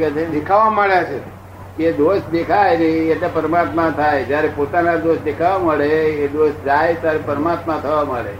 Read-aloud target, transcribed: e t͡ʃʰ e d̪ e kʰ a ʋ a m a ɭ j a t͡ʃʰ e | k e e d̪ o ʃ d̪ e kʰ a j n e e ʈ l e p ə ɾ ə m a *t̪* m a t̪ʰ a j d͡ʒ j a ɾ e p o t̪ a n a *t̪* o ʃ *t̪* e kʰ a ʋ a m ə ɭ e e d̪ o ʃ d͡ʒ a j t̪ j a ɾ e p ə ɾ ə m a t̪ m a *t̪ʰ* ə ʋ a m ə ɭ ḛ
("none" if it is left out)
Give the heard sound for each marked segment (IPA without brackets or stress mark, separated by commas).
t̪, d̪, d̪, t̪ʰ